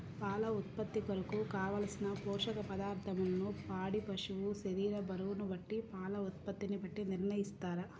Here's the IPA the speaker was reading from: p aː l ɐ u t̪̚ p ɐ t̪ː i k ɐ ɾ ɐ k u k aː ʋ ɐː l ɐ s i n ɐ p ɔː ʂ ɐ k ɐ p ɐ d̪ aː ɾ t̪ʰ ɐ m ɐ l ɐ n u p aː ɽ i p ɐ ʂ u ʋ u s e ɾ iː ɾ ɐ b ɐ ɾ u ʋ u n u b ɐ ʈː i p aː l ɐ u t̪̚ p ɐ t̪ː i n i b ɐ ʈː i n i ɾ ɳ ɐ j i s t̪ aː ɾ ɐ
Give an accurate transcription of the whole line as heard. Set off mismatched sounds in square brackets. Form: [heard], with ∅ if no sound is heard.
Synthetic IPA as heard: p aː l ɐ u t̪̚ p ɐ t̪ː i k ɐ ɾ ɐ k u k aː ʋ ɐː l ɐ s i n ɐ p ɔː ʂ ɐ k ɐ p ɐ d̪ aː ɾ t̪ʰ ɐ m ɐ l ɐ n u p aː ɽ i p ɐ ʂ u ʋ u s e ɾ iː ɾ ɐ b ɐ ɾ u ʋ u n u b ɐ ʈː i p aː l ɐ u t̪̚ p ɐ t̪ː i n i b ɐ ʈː i n i ɾ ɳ ɐ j i s t̪ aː ɾ ɐ